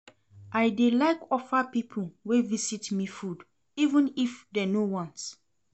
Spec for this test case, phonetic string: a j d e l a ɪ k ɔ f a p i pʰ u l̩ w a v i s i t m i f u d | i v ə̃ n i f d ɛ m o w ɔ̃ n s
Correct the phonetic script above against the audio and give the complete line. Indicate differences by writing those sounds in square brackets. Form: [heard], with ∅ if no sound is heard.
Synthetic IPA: a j d e l a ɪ k ɔ f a p i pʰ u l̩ w [e] v i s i t m i f u d | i v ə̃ n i f d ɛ [n] o w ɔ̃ n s